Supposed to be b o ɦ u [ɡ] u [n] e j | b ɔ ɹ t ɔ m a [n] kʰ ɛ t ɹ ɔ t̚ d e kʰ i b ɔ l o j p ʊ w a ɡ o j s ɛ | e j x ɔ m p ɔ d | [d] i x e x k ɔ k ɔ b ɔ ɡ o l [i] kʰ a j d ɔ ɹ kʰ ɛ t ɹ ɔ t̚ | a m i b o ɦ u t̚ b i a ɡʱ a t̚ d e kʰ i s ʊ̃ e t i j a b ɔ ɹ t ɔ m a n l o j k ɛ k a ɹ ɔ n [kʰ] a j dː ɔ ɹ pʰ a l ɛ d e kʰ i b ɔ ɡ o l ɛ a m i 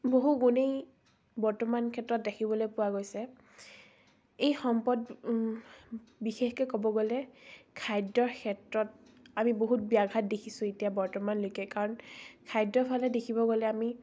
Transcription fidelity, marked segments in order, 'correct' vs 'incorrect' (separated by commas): correct, correct, correct, incorrect, incorrect, correct